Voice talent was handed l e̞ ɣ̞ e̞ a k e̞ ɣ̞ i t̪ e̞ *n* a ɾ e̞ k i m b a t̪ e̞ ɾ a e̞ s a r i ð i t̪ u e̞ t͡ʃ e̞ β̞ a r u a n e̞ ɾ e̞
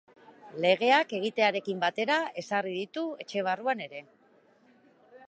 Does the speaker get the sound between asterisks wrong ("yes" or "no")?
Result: yes